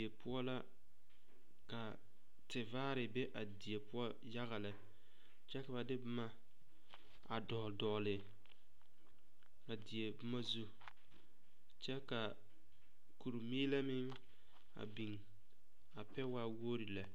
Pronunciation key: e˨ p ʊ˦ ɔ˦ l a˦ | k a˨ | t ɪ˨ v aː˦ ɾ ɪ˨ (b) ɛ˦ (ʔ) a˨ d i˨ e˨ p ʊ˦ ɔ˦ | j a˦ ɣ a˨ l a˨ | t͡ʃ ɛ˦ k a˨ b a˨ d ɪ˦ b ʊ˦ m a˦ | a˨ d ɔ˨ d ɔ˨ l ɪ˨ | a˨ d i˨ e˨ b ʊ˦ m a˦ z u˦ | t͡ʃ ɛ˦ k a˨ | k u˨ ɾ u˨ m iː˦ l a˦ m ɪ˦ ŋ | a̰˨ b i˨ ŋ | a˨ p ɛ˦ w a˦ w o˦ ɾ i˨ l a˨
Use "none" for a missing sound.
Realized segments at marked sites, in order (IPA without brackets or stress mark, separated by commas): b, ʔ